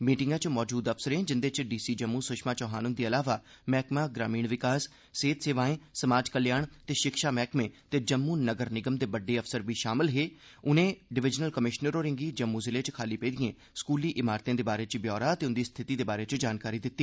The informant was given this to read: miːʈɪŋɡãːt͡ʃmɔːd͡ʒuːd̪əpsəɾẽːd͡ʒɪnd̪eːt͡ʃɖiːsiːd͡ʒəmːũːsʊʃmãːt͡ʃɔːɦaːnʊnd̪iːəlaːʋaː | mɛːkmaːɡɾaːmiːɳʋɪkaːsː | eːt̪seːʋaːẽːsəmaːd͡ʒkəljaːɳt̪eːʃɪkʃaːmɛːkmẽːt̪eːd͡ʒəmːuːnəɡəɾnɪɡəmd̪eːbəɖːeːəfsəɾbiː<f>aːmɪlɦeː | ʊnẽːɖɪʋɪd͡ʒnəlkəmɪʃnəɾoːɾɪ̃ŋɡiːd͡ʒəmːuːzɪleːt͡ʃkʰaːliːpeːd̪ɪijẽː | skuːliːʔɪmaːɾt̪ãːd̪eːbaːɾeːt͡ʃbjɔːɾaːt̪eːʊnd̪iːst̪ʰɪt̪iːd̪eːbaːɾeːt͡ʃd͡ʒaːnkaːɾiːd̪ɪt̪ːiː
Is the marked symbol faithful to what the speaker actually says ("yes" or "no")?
no